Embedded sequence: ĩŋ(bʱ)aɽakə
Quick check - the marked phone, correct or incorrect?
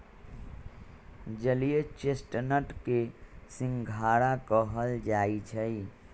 incorrect